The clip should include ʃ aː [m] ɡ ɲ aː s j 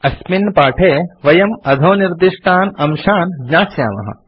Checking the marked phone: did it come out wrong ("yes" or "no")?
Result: yes